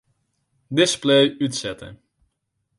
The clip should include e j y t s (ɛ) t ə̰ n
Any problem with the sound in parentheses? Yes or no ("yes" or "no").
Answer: no